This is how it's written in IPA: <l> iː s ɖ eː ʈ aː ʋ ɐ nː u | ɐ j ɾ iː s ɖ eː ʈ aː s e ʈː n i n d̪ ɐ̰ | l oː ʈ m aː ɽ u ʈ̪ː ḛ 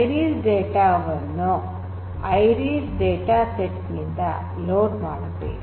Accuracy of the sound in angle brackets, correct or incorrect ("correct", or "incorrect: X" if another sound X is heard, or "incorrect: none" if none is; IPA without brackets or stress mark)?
incorrect: ɾ